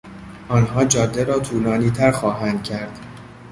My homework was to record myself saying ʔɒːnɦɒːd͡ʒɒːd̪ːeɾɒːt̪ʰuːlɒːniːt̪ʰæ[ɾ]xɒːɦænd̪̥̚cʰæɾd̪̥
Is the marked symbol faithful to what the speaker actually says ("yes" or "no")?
yes